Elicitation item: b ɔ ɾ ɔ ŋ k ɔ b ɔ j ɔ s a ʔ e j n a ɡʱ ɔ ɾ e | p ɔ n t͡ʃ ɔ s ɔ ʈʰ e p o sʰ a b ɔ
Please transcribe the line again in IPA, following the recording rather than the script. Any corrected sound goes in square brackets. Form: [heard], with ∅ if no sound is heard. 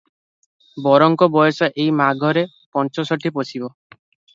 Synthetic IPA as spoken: b ɔ ɾ ɔ ŋ k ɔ b ɔ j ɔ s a ʔ e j [m] a ɡʱ ɔ ɾ e | p ɔ n t͡ʃ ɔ s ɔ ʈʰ [i] p o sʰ [i] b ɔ